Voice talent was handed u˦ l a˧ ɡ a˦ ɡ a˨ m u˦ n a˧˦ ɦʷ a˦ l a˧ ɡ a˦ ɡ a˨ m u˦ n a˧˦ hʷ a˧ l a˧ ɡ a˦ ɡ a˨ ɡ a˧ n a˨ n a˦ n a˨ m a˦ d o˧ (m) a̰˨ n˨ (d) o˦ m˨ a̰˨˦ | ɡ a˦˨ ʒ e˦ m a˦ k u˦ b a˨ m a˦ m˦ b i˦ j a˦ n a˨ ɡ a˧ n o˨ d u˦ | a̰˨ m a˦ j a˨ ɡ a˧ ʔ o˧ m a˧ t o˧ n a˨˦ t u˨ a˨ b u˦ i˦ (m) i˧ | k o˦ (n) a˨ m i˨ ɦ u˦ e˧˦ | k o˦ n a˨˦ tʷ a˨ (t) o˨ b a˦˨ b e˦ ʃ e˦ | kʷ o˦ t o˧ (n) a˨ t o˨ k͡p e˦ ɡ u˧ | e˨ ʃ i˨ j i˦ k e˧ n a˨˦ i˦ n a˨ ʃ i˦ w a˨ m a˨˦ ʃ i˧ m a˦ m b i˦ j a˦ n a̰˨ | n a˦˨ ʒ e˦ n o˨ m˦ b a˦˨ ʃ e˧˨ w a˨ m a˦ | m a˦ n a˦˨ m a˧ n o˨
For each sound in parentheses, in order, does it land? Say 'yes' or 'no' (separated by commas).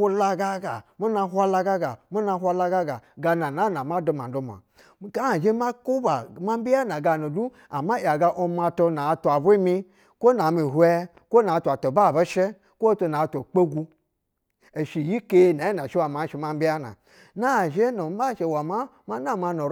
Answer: yes, yes, yes, yes, yes, yes